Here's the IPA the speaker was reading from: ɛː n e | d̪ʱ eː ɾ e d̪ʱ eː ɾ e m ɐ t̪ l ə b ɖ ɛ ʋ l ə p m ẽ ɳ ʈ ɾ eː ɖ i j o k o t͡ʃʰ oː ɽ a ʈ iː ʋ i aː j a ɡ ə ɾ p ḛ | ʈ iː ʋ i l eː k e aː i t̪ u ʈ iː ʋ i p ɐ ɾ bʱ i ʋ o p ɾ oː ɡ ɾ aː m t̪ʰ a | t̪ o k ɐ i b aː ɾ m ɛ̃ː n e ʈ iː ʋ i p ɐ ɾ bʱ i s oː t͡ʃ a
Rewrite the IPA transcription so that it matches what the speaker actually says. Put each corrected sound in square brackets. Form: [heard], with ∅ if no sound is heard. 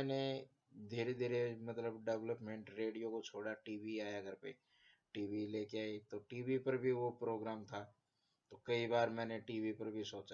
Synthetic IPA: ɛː n e | d̪ʱ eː ɾ e d̪ʱ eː ɾ e m ɐ t̪ l ə b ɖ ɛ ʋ l ə p m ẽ ɳ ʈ ɾ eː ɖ i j o k o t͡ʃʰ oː ɽ a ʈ iː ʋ i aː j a ɡ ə ɾ p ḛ | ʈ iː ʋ i l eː k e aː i t̪ [o] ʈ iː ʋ i p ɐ ɾ bʱ i ʋ o p ɾ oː ɡ ɾ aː m t̪ʰ a | t̪ o k ɐ i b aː ɾ m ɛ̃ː n e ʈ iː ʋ i p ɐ ɾ bʱ i s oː t͡ʃ a